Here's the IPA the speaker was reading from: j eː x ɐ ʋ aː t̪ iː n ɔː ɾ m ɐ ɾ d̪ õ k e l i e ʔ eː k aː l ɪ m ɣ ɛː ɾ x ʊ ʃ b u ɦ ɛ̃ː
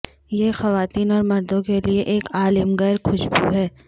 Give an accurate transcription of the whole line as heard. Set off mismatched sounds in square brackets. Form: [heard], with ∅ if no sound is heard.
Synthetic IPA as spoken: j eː x ɐ ʋ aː t̪ iː n ɔː ɾ m ɐ ɾ d̪ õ k e l i e ʔ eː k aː l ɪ m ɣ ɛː ɾ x ʊ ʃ b u ɦ [ɛː]